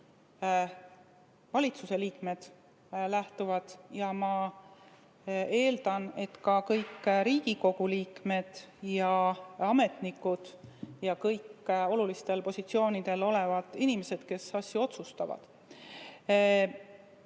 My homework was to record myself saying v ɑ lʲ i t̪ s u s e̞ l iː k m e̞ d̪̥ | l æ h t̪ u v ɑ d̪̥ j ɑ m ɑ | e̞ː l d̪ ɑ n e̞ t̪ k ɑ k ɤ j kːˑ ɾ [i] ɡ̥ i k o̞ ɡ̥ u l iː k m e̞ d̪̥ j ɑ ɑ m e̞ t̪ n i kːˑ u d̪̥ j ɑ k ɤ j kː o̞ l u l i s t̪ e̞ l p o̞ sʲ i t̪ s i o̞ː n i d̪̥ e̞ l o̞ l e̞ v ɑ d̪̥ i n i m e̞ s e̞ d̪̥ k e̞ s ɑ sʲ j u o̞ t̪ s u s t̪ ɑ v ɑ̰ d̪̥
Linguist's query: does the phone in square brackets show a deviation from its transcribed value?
yes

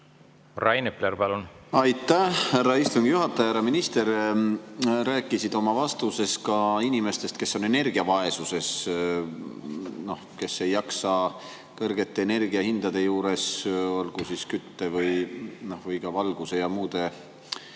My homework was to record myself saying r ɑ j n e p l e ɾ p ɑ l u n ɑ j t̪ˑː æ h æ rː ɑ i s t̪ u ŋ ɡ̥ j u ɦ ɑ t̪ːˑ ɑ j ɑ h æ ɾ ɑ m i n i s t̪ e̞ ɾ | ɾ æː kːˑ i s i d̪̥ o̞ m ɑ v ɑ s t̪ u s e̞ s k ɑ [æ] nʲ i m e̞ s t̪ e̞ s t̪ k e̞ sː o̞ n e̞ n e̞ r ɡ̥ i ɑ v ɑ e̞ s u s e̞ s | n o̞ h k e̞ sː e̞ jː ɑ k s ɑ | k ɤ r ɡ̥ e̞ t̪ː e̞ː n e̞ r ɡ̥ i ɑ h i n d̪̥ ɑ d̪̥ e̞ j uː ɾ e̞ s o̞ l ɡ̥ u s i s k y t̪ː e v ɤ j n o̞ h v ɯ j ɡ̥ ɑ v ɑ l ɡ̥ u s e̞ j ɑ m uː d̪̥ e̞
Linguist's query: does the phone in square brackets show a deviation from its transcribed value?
yes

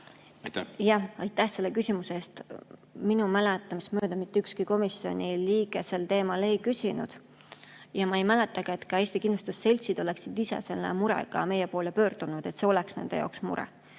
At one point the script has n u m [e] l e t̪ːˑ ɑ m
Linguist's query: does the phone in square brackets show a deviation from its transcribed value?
yes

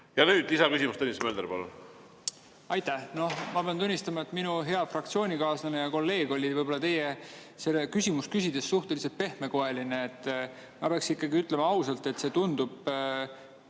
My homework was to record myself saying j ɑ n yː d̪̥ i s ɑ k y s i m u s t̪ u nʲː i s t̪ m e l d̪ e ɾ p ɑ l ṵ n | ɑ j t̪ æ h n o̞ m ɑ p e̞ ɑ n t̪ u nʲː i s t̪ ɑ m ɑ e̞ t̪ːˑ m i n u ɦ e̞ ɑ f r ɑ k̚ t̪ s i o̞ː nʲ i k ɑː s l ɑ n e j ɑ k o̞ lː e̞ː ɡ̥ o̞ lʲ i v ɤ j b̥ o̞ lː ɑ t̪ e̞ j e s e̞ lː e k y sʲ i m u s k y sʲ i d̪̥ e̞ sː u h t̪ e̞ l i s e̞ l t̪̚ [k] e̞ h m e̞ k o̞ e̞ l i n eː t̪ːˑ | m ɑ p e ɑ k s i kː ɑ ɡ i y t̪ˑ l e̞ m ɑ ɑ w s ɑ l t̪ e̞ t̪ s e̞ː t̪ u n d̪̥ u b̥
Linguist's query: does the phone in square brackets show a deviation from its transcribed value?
yes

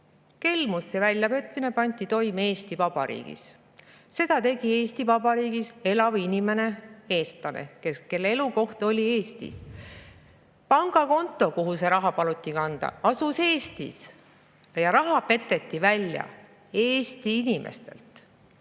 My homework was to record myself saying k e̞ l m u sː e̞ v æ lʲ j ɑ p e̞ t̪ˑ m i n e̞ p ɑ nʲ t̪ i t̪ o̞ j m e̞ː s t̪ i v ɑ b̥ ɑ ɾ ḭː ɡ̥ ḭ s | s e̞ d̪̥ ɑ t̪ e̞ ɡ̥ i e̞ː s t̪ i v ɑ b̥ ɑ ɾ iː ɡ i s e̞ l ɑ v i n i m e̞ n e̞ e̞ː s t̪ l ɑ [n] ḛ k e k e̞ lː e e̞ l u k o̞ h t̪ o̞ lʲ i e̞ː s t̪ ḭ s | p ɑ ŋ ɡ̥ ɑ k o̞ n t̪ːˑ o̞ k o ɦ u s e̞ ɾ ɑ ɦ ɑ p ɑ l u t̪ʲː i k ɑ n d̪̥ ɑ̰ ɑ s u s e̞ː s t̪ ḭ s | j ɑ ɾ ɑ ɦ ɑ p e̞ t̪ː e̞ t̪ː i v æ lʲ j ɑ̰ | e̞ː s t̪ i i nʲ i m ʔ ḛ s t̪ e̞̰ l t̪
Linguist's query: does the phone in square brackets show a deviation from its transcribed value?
no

